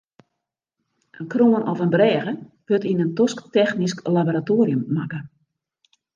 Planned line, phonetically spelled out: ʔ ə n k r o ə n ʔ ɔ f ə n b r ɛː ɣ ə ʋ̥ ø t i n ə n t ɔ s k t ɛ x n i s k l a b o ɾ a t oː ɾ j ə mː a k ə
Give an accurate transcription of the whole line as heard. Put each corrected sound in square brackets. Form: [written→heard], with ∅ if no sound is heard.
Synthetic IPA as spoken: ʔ ə n k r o ə n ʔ ɔ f ə n b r ɛː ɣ ə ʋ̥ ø t i n ə n t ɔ s k t ɛ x n i s k l a b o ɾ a t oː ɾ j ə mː a k ə